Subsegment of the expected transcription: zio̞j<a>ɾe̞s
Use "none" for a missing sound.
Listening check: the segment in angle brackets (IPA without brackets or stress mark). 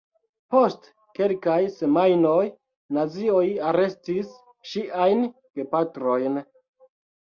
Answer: a